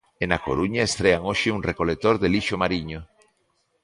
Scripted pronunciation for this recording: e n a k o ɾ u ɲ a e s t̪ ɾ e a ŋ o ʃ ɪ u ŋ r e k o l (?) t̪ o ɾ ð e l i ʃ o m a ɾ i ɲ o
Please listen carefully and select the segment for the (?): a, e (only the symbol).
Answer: e